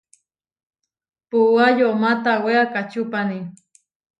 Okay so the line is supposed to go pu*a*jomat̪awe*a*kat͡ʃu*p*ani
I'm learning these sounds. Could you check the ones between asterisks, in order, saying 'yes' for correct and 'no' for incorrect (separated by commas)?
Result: yes, yes, yes